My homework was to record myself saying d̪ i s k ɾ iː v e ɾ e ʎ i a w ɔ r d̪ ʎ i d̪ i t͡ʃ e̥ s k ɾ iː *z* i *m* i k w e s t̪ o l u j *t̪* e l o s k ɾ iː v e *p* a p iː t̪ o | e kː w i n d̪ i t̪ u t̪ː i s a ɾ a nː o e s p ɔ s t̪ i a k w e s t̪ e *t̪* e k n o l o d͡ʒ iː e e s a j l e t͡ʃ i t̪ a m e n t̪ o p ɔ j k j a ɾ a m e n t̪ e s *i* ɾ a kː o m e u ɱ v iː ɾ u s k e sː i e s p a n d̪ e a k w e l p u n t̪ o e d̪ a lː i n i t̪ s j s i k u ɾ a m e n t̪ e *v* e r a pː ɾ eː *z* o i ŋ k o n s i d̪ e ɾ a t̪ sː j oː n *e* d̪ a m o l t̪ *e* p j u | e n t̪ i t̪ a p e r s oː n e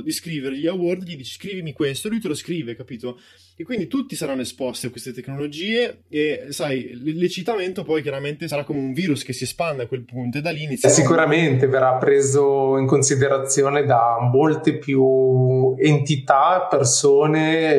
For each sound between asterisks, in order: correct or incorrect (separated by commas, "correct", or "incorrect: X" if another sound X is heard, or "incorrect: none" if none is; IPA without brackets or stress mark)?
incorrect: v, correct, correct, incorrect: k, correct, incorrect: a, correct, correct, correct, correct